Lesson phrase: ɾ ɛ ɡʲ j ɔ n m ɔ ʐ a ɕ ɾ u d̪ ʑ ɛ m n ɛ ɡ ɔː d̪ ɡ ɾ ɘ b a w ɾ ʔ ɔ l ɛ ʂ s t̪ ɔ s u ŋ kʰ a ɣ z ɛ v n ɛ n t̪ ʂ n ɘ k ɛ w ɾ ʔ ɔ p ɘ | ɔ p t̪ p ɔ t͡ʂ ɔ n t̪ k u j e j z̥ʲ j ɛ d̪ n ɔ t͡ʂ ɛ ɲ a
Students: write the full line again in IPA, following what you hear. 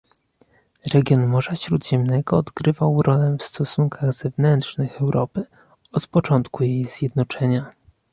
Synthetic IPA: ɾ ɛ ɡʲ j ɔ n m ɔ ʐ a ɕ ɾ u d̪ ʑ ɛ m n ɛ ɡ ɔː d̪ ɡ ɾ ɘ v a w ɾ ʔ ɔ l ɛ f s t̪ ɔ s u ŋ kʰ a ɣ z ɛ v n ɛ n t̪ ʂ n ɘ x ɛ w ɾ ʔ ɔ p ɘ | ɔ t̪ p ɔ t͡ʂ ɔ n t̪ k u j e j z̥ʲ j ɛ d̪ n ɔ t͡ʂ ɛ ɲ a